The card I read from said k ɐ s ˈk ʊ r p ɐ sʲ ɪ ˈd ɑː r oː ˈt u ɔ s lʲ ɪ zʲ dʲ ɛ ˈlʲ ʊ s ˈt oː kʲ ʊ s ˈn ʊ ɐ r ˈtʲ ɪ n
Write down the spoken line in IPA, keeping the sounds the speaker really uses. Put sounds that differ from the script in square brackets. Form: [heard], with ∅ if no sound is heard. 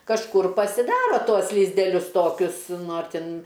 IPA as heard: k ɐ [ʃ] ˈk ʊ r p ɐ sʲ ɪ ˈd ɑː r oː ˈt u ɔ s lʲ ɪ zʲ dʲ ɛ ˈlʲ ʊ s ˈt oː kʲ ʊ s ˈn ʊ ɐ r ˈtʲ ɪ n